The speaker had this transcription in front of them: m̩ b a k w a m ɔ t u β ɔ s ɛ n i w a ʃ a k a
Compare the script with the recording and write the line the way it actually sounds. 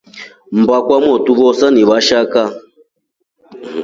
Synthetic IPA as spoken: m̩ b a k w a m ɔ t u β ɔ s a n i β a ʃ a k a